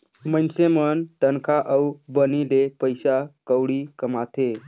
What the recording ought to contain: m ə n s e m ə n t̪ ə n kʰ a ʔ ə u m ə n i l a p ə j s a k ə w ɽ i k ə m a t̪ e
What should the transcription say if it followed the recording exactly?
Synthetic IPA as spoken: m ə n s e m ə n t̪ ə n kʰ a ʔ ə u b ə n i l e p ə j s a k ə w ɽ i k ə m a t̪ e